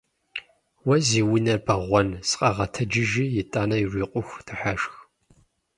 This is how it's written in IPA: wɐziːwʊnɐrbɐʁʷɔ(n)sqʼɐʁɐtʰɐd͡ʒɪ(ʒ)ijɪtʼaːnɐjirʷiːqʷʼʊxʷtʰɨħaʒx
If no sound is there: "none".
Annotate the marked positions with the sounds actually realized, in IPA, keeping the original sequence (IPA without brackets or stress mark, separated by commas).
n, ʒ